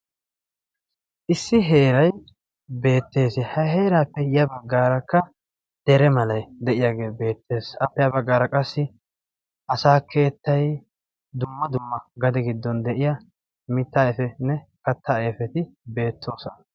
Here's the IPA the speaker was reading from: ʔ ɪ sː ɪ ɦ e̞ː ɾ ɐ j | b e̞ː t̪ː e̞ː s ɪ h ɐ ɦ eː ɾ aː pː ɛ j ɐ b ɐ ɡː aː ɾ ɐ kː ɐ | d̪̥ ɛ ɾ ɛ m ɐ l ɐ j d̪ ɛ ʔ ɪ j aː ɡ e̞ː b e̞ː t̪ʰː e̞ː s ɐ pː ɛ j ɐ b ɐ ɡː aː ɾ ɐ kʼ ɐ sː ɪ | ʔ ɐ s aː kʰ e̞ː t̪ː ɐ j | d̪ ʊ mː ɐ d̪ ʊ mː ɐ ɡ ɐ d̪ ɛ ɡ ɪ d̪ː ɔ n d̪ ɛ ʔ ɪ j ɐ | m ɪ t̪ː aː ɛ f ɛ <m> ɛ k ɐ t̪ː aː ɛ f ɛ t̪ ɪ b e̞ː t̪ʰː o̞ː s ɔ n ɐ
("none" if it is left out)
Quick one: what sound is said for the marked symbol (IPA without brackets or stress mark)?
n